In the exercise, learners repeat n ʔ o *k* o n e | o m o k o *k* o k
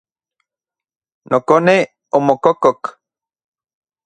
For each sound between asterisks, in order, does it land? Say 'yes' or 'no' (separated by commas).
yes, yes